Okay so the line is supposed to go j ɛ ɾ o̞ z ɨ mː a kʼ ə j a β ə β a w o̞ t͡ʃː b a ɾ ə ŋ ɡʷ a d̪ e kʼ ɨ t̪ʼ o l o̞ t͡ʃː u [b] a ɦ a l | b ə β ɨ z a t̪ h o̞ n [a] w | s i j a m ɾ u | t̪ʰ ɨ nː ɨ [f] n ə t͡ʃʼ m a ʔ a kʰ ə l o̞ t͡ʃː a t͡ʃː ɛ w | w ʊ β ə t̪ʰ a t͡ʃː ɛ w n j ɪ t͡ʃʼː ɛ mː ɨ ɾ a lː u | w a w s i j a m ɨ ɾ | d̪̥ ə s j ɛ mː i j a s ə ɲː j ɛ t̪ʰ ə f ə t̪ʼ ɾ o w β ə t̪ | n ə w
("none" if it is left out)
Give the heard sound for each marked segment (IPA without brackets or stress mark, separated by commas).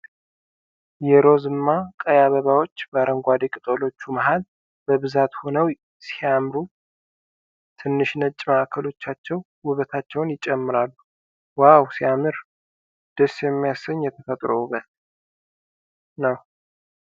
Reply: m, ə, ʃ